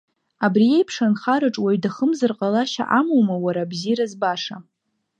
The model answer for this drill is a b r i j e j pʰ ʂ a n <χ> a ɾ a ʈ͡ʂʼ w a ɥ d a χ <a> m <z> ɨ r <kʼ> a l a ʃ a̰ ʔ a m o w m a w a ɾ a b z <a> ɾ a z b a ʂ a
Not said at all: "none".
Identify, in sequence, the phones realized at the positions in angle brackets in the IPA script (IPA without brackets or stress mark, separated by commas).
χ, ə, z, qʼ, i